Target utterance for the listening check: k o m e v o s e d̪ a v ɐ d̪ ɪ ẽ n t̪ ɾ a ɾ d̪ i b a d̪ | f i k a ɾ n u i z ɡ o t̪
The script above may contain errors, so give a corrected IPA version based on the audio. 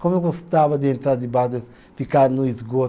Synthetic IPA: k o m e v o s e t̪ a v ɐ d̪ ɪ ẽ n t̪ ɾ a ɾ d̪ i b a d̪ | f i k a ɾ n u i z ɡ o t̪